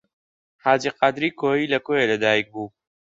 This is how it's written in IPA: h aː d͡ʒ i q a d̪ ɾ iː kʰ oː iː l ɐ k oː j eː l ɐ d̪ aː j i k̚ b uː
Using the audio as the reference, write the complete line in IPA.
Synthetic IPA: h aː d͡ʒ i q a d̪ ɾ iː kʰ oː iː l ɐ k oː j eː l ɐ d̪ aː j i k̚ b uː